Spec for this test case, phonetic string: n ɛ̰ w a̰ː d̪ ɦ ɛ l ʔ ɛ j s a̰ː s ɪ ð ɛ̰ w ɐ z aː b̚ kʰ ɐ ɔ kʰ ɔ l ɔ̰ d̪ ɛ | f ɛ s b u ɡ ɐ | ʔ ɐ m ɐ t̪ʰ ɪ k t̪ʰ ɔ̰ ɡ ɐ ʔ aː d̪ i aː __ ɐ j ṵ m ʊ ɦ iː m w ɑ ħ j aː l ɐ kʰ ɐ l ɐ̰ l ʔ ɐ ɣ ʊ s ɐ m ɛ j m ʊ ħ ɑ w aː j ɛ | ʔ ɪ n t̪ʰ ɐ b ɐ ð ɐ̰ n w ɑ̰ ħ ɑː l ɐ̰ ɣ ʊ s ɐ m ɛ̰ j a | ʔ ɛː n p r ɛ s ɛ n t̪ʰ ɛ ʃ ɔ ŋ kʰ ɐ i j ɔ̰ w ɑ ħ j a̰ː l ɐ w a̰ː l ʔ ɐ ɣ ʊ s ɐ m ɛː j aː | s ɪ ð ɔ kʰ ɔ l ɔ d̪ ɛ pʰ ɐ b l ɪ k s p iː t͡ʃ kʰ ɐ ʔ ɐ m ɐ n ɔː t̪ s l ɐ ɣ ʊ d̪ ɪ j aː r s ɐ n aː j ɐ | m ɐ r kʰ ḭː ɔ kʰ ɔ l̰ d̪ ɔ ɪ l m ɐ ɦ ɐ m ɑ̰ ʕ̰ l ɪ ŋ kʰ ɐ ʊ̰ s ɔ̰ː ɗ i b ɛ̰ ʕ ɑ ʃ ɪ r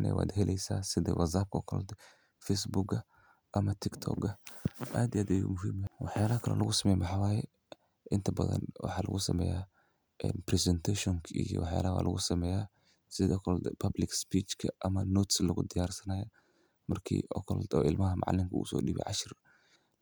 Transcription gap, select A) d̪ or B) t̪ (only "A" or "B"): A